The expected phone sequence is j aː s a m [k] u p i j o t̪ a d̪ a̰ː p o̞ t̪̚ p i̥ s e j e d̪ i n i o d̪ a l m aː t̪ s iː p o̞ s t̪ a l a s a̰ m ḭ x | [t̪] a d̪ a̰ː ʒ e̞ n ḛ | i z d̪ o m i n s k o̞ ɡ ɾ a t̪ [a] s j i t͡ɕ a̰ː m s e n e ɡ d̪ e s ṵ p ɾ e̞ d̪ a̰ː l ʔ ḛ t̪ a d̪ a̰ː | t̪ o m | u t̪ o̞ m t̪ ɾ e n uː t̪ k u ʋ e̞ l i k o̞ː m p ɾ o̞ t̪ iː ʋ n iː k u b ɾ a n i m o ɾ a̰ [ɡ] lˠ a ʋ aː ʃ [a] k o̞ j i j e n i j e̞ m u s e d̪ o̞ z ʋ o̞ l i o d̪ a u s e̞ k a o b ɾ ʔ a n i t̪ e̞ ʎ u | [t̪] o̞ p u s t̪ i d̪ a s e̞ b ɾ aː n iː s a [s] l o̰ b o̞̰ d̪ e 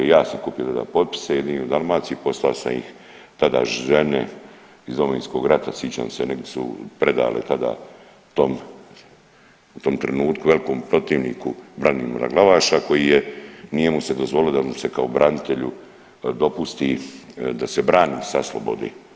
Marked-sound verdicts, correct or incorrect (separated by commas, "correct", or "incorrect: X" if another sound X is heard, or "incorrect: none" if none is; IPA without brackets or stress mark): correct, correct, correct, correct, correct, incorrect: d̪, correct